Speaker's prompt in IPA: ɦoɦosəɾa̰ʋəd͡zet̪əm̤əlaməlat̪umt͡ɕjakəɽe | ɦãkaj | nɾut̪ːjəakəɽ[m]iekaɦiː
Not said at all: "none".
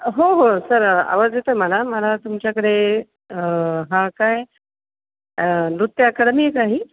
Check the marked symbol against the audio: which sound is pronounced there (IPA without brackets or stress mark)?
m